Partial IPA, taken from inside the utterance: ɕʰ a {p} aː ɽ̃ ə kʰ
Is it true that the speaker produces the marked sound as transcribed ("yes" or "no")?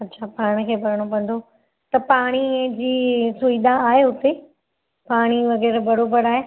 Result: yes